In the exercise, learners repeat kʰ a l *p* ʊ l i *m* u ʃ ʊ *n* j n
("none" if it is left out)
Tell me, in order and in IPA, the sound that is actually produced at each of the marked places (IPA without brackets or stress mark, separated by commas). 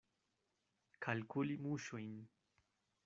k, m, none